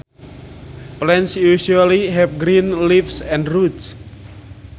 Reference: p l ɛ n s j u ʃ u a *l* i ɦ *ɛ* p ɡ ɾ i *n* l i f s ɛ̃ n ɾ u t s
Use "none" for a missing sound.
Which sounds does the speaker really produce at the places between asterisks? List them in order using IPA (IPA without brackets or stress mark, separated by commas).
l, ɛ, n